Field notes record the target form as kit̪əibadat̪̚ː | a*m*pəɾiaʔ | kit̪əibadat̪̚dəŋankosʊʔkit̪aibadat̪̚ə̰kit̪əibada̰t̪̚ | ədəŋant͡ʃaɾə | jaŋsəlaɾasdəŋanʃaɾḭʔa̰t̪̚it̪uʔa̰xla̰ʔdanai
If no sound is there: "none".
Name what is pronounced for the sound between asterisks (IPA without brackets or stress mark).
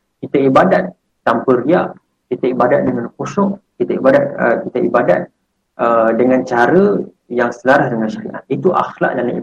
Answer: m